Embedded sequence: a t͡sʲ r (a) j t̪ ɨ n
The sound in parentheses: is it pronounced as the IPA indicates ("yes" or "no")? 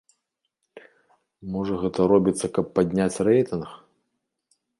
no